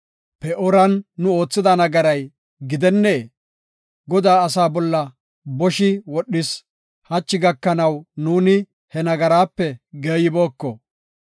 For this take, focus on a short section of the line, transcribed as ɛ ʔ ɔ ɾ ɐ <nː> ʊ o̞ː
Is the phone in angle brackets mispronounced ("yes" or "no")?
no